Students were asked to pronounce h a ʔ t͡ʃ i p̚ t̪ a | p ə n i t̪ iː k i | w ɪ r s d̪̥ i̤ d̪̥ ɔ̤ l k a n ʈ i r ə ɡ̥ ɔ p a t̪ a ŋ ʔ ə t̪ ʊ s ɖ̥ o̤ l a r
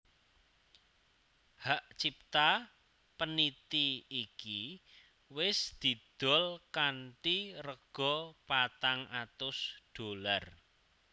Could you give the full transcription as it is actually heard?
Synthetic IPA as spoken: h a ʔ t͡ʃ i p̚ t̪ a | p ə n i t̪ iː k i | w ɪ s d̪̥ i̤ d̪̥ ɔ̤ l k a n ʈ i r ə ɡ̥ ɔ p a t̪ a ŋ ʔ a t̪ ʊ s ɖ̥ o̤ l a r